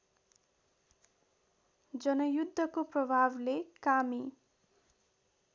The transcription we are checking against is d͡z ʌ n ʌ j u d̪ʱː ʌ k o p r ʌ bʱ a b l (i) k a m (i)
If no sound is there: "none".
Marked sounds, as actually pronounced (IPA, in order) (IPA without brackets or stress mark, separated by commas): e, i